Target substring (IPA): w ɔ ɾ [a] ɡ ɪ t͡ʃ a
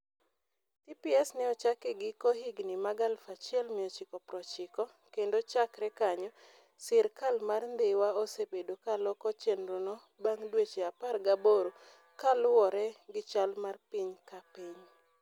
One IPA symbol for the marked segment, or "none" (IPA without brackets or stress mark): ɛ